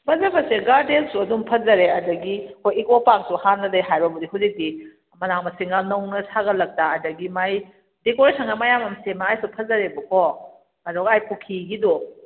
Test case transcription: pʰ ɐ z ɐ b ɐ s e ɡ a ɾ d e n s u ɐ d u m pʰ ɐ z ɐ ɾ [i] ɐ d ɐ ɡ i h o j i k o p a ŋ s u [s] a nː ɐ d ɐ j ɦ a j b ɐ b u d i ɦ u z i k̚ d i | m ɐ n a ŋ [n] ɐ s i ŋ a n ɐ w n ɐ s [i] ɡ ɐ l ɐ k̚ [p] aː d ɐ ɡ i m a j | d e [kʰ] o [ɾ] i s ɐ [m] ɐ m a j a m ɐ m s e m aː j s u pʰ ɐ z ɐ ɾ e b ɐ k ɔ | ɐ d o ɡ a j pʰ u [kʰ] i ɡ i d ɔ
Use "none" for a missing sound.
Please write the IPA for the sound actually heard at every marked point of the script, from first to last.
e, h, m, a, t, k, ɾ, ŋ, kʰ

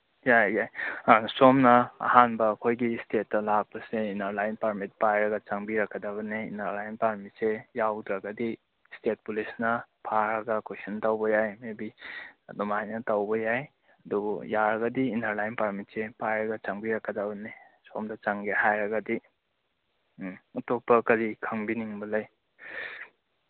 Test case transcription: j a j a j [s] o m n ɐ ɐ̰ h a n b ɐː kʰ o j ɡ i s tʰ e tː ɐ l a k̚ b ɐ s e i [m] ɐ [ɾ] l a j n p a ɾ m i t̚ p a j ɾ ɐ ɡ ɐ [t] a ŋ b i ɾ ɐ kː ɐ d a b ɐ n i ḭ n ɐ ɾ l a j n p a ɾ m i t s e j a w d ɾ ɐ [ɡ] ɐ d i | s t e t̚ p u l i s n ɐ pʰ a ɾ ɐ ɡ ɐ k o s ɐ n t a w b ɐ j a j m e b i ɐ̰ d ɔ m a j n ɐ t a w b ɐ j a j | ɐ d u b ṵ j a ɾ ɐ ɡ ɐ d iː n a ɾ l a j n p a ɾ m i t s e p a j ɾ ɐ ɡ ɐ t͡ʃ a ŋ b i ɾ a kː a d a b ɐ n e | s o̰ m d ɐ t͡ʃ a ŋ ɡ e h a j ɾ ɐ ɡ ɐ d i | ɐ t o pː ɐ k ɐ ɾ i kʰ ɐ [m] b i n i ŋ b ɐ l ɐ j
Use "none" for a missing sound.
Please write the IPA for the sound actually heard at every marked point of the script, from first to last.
s, n, ɾ, t͡ʃ, ɡ, ŋ

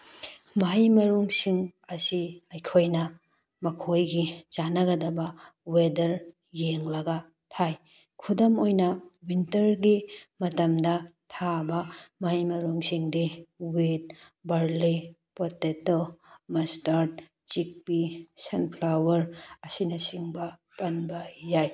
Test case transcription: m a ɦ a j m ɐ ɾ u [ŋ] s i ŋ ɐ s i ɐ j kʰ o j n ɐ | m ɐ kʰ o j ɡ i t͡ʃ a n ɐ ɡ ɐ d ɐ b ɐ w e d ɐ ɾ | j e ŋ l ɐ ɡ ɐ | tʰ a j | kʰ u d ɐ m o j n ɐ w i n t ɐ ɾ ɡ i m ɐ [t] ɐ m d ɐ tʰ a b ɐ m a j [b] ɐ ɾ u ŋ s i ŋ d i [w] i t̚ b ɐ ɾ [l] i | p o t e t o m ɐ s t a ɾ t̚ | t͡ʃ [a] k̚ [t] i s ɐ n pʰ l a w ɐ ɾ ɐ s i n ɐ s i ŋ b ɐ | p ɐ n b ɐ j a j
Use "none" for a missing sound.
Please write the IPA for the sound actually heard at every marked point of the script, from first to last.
ŋ, t, m, w, l, i, p

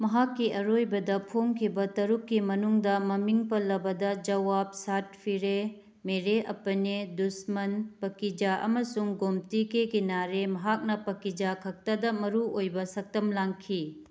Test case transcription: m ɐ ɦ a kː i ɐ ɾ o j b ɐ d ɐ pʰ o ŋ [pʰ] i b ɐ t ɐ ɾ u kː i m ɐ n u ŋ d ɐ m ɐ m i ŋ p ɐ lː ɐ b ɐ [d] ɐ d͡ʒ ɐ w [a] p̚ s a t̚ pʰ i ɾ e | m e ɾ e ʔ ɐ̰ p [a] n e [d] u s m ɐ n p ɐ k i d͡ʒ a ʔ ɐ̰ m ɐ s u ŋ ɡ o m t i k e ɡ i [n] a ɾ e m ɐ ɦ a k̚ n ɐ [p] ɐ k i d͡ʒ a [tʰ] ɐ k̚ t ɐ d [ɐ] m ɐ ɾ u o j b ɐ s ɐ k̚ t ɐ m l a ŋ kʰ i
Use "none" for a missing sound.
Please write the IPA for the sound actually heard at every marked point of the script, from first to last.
kʰ, d, a, ɐ, d, n, p, kʰ, ɐ

